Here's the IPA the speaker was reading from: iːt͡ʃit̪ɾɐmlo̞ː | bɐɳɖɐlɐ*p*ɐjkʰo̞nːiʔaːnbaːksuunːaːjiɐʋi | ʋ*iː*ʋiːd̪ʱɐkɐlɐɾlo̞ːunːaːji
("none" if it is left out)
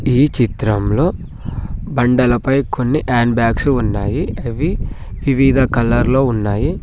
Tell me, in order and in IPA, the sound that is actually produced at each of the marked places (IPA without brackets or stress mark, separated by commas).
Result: p, i